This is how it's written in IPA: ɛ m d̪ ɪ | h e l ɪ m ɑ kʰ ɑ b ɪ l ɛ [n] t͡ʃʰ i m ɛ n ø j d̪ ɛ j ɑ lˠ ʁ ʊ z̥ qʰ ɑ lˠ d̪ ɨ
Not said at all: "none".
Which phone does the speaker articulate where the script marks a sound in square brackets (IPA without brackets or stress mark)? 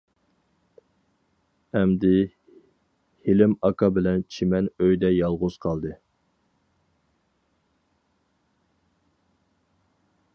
n